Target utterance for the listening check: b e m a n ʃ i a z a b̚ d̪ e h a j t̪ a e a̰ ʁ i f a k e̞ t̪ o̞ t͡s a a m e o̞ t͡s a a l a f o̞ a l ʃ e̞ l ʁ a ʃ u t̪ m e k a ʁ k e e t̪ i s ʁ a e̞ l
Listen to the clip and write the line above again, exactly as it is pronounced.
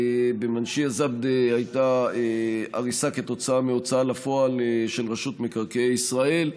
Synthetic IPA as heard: b e m a n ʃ i a z a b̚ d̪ e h a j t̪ a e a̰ ʁ i s a k e̞ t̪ o̞ t͡s a a m e o̞ t͡s a a l a f o̞ a l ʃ e̞ l ʁ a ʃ u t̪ m e k a ʁ k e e i s ʁ a e̞ l